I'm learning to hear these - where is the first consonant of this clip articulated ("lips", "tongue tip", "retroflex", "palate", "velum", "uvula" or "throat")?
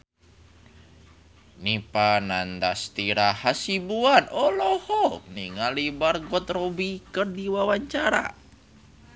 tongue tip